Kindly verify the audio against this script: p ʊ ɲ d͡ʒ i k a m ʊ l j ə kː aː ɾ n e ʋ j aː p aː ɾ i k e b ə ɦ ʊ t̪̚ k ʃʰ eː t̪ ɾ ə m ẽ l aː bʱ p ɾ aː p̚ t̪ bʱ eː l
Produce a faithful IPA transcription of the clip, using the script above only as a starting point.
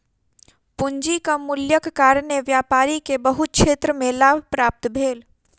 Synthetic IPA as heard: p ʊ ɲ d͡ʒ i k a m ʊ l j ə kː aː ɾ n e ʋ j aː p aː ɾ i k e b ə ɦ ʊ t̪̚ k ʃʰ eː t̪ ɾ ə m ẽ l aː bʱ p ɾ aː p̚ t̪ bʱ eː l